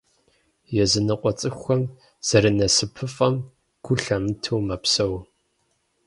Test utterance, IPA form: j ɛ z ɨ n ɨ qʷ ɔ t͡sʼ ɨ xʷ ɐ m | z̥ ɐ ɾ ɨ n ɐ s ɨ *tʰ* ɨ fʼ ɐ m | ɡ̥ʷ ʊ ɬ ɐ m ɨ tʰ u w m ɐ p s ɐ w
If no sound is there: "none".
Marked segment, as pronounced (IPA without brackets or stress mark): pʰ